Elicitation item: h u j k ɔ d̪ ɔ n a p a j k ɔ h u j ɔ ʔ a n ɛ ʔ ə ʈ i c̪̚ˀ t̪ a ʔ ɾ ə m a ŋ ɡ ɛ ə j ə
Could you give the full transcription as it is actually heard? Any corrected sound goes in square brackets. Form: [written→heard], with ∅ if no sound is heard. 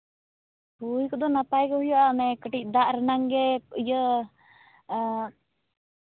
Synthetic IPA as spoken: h u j k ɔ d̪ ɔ n a p a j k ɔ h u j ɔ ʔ a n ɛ [ʔ→k] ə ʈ i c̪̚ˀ [t̪→d̪] a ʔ ɾ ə [m→n] a ŋ ɡ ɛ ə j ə